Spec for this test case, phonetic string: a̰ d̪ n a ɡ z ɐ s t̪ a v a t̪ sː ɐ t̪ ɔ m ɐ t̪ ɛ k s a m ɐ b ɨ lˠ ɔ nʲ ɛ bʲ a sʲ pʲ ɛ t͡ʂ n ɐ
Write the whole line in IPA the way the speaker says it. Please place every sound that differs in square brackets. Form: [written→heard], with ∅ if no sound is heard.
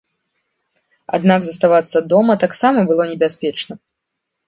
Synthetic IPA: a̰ d̪ n a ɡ z ɐ s t̪ a v a t̪ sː ɐ [t̪→d̪] ɔ m ɐ t̪ [ɛ→a] k s a m ɐ b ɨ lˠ ɔ nʲ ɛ bʲ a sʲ pʲ ɛ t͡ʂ n ɐ